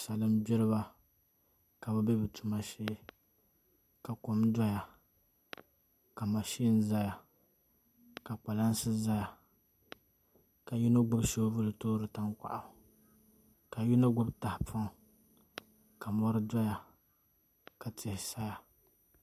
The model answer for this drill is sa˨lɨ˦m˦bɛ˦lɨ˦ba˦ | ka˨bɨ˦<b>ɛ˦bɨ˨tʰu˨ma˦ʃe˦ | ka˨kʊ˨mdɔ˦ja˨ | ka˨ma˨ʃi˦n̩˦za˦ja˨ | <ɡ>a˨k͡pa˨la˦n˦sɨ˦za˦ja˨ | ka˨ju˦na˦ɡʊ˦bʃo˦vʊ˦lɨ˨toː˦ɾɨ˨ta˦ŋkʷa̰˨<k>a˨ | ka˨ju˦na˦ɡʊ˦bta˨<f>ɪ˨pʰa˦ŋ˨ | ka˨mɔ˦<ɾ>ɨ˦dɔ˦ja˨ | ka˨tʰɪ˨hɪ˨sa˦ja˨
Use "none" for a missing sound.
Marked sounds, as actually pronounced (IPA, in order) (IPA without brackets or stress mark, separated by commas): b, k, ʔ, h, ɾ